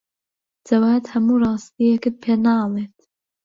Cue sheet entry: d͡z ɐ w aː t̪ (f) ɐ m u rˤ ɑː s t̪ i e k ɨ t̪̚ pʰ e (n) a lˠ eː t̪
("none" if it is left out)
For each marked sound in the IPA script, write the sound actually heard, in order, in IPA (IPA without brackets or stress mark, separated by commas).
h, n